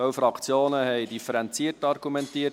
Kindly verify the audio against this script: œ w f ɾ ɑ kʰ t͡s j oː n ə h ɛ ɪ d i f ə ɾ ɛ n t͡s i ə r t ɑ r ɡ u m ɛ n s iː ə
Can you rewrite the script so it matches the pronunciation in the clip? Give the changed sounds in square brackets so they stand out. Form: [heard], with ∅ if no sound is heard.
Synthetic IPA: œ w f ɾ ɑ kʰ t͡s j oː n ə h ɛ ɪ d i f ə ɾ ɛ n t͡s i ə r t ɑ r ɡ u m ɛ n [t] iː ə